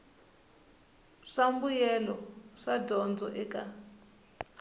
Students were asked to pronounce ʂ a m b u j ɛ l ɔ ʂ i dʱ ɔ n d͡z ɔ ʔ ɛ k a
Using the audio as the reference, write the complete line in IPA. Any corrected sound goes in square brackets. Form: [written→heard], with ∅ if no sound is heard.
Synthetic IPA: ʂ a m b u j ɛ l ɔ ʂ [i→a] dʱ ɔ n d͡z ɔ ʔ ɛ k a